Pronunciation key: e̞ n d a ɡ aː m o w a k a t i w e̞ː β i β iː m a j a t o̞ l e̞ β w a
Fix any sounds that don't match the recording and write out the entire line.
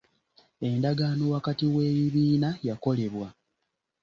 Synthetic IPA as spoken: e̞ n d a ɡ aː n o w a k a t i w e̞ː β i β iː n a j a k o̞ l e̞ β w a